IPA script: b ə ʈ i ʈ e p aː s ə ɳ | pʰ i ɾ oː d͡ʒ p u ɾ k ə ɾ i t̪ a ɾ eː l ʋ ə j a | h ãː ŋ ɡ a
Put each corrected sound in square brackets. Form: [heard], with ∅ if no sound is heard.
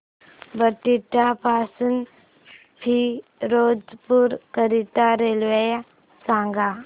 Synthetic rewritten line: b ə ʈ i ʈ [a] p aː s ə [n] | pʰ i ɾ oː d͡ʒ p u ɾ k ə ɾ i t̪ a ɾ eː l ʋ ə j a | [s] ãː ŋ ɡ a

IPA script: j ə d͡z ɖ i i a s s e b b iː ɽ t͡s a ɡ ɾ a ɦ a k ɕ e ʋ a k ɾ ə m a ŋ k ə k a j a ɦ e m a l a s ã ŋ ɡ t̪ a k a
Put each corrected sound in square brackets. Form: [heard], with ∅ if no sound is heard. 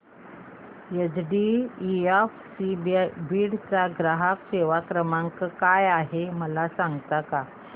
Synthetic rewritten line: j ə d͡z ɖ i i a [f] s [i] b b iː ɽ t͡s a ɡ ɾ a ɦ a k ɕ e ʋ a k ɾ ə m a ŋ k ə k a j a ɦ e m [ə] l a s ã ŋ ɡ t̪ a k a

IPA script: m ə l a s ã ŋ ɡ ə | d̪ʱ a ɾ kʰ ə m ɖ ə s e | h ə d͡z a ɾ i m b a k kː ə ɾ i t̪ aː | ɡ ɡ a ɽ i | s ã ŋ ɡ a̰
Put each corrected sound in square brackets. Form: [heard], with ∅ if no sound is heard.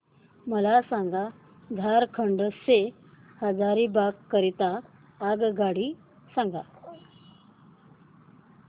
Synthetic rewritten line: m ə l a s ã ŋ ɡ [a] | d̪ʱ a ɾ kʰ ə [ɳ] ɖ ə s e | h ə d͡z a ɾ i [∅] b a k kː ə ɾ i t̪ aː | ɡ ɡ a ɽ i | s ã ŋ ɡ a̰

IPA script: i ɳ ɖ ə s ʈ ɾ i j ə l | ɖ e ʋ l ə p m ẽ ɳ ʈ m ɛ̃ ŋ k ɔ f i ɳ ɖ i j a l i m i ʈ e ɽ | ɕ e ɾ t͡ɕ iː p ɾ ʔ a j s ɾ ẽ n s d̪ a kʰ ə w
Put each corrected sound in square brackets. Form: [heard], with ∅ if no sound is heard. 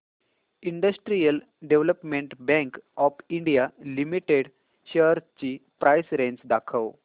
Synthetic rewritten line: i ɳ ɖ ə s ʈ ɾ i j ə l | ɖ e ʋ l ə p m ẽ ɳ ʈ [b] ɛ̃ ŋ k ɔ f i ɳ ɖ i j a l i m i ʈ e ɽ | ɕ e ɾ t͡ɕ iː p ɾ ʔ a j s ɾ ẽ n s d̪ a kʰ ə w

